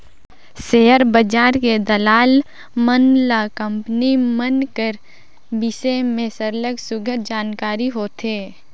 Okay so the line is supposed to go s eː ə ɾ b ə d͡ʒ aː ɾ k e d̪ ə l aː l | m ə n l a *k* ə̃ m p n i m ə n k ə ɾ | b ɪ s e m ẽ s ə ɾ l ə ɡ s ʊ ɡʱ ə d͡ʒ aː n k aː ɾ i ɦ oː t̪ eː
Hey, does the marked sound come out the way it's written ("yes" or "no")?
yes